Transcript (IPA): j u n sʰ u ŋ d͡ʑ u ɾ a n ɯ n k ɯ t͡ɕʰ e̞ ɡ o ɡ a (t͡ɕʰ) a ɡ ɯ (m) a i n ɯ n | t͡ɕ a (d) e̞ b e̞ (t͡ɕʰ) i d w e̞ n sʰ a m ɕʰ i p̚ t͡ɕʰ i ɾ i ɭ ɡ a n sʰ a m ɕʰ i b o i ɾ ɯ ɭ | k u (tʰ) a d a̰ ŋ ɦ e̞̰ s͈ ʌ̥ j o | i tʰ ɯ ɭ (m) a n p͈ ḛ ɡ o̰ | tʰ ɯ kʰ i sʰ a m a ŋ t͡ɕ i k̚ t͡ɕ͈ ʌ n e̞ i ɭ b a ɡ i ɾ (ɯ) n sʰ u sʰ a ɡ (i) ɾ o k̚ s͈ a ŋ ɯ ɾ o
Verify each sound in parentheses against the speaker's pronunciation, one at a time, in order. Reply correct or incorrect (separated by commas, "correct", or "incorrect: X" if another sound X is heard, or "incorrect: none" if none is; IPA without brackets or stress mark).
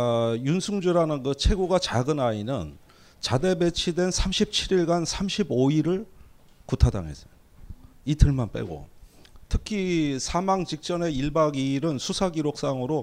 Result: incorrect: t͡ɕ, incorrect: n, correct, correct, correct, correct, correct, correct